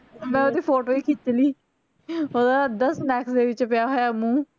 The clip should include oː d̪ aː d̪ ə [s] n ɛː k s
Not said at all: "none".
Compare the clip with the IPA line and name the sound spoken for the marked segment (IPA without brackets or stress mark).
s